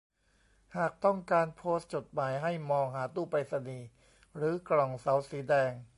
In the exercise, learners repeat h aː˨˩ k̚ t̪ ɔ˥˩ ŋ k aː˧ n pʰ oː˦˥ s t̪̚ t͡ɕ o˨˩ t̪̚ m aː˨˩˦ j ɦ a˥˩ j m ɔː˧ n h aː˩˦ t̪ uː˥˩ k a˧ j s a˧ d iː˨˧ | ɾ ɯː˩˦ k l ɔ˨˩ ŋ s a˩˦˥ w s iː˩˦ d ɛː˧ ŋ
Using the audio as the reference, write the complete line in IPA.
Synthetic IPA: h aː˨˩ k̚ t̪ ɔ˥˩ ŋ k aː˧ n pʰ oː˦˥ s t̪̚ t͡ɕ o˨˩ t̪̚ m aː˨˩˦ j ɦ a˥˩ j m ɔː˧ ŋ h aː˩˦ t̪ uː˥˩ p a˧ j s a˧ n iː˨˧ | ɾ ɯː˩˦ k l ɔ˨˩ ŋ s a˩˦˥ w s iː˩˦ d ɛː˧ ŋ